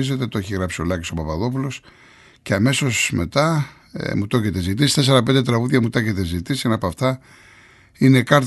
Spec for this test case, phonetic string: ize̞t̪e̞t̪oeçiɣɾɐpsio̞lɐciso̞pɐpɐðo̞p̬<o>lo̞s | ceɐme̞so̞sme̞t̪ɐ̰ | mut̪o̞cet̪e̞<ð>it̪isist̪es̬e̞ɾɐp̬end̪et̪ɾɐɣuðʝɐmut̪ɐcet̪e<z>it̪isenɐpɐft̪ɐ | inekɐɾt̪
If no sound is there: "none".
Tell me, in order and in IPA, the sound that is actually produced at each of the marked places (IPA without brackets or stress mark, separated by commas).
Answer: u, z, z